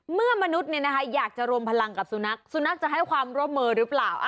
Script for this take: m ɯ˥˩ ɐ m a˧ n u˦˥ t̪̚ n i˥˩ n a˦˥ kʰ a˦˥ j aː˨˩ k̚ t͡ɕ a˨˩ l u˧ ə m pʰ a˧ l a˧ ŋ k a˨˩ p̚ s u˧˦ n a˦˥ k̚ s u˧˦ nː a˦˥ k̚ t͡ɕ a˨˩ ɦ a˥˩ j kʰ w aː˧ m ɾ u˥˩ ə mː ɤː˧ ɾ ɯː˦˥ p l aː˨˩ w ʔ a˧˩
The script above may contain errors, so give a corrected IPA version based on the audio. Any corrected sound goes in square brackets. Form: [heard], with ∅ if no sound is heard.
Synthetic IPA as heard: m ɯ˥˩ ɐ m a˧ n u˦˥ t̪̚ n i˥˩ n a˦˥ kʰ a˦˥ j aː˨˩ k̚ t͡ɕ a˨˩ [ɾ] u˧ ə m pʰ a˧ l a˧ ŋ k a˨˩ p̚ s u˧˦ n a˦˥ k̚ s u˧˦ [n] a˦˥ k̚ t͡ɕ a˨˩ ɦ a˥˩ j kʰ w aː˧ m ɾ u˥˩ ə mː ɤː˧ ɾ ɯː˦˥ p l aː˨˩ w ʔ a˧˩